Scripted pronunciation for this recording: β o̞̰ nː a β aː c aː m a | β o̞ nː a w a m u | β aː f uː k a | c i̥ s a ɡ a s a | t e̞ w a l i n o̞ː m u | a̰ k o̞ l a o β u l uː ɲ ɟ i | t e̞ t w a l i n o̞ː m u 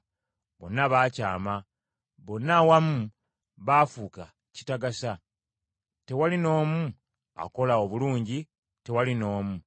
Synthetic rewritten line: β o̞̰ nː a β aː c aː m a | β o̞ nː a w a m u | β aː f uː k a | c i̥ t a ɡ a s a | t e̞ w a l i n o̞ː m u | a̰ k o̞ l a o β u l uː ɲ ɟ i | t e̞ w a l i n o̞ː m u